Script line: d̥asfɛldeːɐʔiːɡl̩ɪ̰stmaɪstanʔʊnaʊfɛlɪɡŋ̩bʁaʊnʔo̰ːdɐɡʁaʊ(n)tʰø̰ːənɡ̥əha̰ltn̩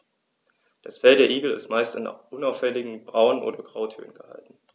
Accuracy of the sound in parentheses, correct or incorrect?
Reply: incorrect